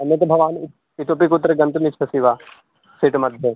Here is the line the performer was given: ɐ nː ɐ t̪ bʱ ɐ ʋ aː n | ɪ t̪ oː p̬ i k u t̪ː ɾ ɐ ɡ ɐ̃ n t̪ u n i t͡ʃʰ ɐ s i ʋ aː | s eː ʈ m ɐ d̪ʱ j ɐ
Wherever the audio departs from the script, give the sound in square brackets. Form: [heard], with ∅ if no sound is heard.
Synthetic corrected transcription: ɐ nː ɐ t̪ bʱ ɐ ʋ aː n | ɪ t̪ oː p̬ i k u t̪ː ɾ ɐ ɡ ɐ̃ n t̪ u n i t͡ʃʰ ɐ s i ʋ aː | s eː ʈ m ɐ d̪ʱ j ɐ